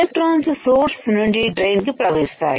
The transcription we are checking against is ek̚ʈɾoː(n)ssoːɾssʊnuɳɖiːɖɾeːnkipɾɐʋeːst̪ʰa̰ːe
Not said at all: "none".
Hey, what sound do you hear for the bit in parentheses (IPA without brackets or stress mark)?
n